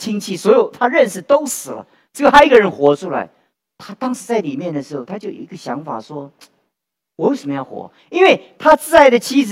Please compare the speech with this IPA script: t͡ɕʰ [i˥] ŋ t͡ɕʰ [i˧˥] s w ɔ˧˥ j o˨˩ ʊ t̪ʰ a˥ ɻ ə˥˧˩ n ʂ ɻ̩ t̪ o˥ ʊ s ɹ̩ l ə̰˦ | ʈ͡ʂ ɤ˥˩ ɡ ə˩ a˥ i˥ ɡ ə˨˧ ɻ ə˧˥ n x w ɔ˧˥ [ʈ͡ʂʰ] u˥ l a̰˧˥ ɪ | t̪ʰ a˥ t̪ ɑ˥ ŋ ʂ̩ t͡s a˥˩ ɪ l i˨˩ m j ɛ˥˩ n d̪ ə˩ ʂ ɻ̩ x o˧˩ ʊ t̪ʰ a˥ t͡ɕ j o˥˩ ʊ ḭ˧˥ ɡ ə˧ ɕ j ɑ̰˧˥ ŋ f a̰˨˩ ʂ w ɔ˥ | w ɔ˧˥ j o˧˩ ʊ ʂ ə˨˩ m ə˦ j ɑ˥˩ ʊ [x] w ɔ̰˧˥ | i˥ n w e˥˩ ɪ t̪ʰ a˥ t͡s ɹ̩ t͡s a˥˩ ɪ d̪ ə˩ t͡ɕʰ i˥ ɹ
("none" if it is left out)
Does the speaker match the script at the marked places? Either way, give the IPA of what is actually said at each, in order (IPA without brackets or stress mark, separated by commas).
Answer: i˥, i˥˩, ʈ͡ʂʰ, x